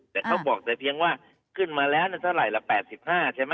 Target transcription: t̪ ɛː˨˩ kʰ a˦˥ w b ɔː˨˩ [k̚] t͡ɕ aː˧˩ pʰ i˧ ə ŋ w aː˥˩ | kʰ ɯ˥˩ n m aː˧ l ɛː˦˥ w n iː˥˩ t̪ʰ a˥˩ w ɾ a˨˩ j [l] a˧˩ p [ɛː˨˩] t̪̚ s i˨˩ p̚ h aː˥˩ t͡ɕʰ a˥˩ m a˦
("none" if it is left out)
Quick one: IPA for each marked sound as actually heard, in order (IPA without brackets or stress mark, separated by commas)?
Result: k̚, l, ɛː˨˩